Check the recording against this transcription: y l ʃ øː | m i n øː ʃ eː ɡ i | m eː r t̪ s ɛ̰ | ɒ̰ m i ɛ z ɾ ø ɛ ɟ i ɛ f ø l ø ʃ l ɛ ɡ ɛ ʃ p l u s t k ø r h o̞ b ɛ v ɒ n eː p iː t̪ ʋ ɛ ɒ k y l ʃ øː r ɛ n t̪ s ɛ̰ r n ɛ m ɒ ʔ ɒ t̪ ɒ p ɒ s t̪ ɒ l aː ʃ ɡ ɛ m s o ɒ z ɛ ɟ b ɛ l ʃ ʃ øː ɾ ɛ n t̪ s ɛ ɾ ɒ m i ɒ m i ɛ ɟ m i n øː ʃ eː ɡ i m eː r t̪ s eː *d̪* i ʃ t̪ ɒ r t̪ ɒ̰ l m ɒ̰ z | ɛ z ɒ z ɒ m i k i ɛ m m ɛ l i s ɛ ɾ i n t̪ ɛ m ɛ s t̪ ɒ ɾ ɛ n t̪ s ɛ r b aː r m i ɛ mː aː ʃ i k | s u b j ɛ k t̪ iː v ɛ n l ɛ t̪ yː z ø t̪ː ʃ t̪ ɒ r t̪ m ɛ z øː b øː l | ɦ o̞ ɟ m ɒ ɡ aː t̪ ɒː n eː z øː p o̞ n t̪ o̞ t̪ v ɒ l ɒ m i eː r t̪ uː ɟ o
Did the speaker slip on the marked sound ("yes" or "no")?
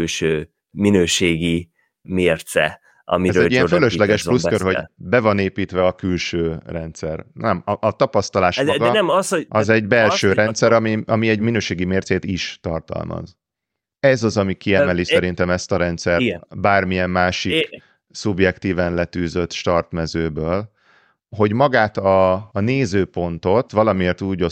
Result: yes